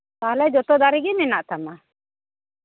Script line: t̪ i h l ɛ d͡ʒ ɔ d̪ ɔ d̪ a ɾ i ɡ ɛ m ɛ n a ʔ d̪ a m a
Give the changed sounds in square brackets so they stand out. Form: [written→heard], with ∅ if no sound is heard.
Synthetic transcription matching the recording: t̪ [i→a] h l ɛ d͡ʒ ɔ [d̪→t̪] ɔ d̪ a ɾ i ɡ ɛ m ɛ n a ʔ [d̪→t̪] a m a